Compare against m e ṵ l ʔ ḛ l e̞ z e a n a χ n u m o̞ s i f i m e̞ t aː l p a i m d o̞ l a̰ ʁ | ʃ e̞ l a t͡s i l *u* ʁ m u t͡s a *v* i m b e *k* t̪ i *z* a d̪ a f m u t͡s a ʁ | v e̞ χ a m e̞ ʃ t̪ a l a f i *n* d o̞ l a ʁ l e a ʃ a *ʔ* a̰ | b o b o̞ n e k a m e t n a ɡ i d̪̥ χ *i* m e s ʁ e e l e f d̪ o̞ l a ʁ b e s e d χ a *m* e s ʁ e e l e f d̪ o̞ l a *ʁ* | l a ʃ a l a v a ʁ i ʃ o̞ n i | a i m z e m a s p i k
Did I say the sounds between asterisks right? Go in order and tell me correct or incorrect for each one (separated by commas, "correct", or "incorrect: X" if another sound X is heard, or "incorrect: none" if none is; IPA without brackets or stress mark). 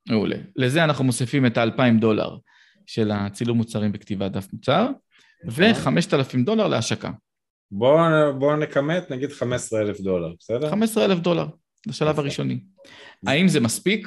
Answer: correct, incorrect: ʁ, correct, incorrect: v, incorrect: m, incorrect: k, incorrect: a, correct, correct